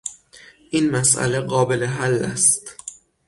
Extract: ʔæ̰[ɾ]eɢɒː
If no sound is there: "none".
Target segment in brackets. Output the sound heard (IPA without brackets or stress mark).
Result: l